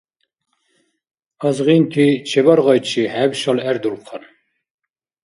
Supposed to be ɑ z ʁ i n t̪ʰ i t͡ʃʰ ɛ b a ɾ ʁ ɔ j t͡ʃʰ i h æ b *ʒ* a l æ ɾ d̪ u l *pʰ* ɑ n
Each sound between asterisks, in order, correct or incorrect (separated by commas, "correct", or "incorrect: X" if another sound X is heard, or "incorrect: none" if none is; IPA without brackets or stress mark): incorrect: ʃ, incorrect: qʰ